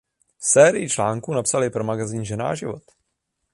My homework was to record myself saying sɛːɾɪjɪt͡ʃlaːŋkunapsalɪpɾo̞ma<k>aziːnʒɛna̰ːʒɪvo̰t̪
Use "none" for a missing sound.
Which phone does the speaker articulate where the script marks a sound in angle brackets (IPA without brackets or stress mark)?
ɡ